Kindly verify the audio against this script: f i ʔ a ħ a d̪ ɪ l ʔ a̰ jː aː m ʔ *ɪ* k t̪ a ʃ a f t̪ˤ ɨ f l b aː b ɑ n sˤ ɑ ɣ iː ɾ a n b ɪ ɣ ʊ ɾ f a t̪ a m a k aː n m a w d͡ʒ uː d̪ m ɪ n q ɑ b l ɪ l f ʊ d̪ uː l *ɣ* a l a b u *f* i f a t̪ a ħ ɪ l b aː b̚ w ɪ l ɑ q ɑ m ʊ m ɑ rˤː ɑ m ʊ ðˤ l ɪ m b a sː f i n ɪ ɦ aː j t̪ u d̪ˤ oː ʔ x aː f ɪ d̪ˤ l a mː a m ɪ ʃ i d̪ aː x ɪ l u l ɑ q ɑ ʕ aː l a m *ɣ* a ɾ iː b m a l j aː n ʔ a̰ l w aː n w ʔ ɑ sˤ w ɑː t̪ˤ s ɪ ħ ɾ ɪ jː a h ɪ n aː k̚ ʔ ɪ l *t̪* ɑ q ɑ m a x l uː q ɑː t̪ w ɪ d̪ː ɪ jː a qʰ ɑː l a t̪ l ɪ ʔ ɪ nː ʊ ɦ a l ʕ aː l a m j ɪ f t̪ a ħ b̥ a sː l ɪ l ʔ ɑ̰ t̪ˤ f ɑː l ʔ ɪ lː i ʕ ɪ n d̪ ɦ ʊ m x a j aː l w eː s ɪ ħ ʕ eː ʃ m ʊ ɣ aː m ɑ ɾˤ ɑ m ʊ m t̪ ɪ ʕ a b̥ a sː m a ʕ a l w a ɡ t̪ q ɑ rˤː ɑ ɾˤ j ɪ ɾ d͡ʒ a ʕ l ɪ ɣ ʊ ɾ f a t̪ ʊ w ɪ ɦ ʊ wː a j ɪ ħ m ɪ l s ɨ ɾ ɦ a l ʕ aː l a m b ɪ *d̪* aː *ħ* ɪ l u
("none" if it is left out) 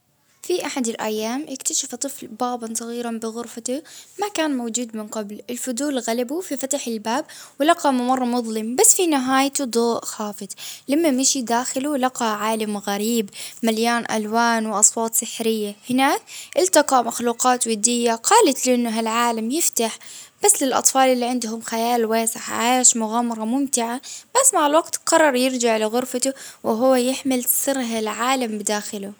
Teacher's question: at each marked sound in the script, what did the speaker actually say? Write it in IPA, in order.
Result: ɪ, ɣ, f, ɣ, t̪, d̪, x

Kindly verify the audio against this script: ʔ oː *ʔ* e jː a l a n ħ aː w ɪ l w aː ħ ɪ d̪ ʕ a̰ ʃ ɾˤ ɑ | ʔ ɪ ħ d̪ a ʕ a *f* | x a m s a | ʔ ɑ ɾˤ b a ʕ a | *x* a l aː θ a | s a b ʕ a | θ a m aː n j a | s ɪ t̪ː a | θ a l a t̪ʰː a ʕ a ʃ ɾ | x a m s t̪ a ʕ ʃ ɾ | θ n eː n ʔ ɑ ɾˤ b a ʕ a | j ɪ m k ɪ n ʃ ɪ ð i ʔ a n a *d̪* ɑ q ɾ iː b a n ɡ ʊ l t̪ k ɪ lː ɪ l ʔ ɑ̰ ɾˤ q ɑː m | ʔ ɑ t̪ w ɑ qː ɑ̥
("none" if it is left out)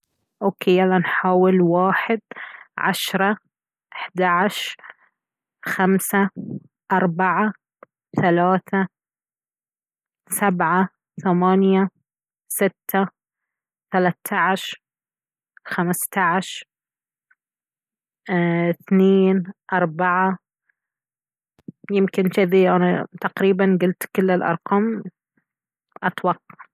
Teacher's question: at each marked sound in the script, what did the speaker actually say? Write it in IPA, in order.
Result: k, ʃ, θ, t̪

